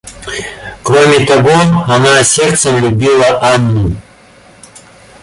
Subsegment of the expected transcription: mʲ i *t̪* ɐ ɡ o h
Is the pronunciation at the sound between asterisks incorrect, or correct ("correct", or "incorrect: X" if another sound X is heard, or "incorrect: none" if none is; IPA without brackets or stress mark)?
correct